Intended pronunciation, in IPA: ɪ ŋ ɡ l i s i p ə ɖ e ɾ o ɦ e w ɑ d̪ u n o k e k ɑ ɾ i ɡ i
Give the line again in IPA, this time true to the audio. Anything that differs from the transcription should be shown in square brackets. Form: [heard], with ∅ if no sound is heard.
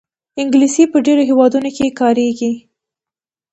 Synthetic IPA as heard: ɪ ŋ ɡ l i s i p ə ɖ e ɾ o ɦ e w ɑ d̪ u n o k e k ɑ ɾ [e] ɡ i